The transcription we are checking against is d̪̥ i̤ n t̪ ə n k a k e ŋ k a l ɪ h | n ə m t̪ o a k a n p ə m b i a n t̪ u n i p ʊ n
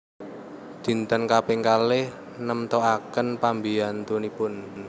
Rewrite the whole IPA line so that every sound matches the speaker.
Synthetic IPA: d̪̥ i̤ n t̪ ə n k a p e ŋ k a l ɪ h | n ə m t̪ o a k ə n p a m b i a n t̪ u n i p ʊ n